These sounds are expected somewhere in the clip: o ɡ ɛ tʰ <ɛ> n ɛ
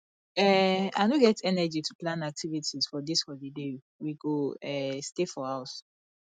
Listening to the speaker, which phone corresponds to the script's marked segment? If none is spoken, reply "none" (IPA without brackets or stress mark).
ɛ